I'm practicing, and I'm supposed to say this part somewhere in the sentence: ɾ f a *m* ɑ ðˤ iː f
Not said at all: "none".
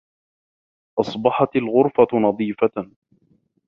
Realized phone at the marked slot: n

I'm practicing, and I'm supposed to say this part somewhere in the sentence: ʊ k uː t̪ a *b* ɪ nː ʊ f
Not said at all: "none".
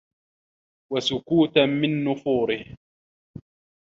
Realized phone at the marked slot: m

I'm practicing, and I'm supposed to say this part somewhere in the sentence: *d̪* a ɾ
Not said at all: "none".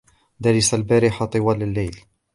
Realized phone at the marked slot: d̪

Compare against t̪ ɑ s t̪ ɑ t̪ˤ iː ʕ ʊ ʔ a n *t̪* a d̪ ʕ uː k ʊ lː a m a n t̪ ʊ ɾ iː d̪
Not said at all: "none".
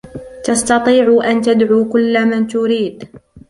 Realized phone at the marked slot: t̪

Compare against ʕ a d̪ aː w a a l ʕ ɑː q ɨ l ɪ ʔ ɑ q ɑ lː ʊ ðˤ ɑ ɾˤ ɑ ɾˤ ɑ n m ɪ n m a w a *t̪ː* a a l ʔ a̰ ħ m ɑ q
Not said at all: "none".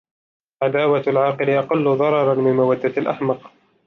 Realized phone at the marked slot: d̪ː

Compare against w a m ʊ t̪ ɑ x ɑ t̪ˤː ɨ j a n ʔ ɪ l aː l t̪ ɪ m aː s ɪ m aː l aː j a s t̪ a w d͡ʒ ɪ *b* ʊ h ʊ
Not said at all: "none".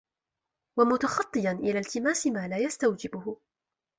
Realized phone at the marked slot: b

